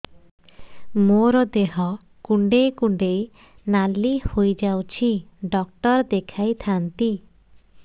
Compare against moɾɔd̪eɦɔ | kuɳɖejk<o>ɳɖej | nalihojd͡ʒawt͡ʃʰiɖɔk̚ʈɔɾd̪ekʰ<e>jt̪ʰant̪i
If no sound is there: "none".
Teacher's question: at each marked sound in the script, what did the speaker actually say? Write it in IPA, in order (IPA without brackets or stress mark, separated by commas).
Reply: u, a